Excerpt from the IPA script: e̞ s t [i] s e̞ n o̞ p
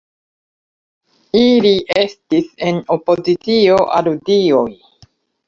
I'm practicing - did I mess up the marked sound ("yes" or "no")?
no